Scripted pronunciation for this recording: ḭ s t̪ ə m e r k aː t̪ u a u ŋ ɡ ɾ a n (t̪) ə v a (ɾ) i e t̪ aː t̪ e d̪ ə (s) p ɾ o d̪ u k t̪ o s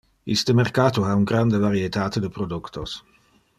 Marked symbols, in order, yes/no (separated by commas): no, yes, no